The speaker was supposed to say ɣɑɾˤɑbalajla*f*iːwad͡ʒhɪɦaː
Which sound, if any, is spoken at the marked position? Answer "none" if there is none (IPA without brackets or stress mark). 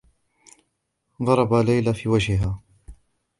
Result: f